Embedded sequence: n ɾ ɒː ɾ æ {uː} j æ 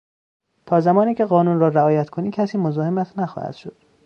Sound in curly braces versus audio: incorrect: ɒː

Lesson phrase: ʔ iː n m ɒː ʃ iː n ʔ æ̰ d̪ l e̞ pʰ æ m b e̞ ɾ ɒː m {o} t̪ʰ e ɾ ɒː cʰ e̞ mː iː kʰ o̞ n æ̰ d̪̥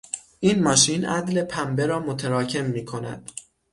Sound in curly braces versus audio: correct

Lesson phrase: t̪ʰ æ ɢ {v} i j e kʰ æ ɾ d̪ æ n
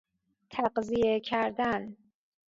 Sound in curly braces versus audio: incorrect: z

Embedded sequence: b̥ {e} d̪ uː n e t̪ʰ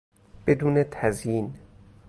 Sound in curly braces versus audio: correct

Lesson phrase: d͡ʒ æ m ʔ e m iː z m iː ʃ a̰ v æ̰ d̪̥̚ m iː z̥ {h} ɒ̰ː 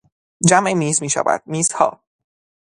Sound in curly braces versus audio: correct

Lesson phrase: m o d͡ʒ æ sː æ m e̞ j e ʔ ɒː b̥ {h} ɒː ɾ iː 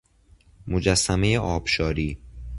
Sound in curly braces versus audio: incorrect: ʃ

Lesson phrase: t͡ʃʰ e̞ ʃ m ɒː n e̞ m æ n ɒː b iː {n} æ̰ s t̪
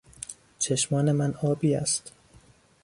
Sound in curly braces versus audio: incorrect: none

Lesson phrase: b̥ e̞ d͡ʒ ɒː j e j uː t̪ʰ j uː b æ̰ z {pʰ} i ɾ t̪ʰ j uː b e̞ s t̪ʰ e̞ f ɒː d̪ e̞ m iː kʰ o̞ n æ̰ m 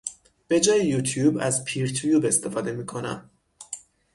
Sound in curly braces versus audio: correct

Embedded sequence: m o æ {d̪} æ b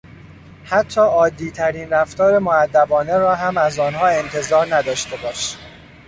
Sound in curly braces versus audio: incorrect: d̪ː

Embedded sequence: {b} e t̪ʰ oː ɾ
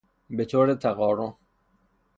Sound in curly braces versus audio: correct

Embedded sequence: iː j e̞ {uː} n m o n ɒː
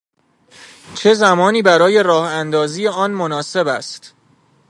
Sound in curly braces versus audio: incorrect: ɒː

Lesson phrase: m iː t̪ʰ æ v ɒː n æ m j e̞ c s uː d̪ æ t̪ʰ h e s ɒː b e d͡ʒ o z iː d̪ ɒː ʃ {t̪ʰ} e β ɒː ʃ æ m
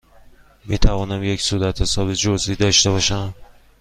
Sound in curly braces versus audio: incorrect: t̪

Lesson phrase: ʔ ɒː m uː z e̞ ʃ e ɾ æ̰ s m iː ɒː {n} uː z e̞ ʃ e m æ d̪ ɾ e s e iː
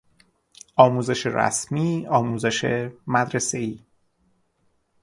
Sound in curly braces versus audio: incorrect: m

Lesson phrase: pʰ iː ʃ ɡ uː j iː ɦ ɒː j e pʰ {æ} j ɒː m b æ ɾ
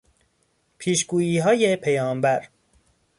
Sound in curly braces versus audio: incorrect: e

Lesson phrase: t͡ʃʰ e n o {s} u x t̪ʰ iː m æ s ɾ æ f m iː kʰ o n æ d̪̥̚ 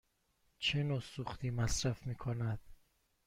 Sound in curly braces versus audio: correct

